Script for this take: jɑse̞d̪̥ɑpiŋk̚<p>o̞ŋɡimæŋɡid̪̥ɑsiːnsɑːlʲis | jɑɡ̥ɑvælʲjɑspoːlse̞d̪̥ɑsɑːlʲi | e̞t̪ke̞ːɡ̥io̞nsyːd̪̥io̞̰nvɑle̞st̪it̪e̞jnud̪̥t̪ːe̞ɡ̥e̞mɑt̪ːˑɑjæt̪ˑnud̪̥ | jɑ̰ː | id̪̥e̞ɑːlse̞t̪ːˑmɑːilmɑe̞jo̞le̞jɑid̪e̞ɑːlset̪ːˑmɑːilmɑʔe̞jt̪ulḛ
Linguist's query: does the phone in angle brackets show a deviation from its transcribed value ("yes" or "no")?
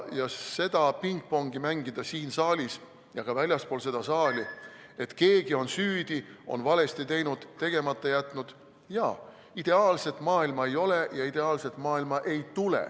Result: no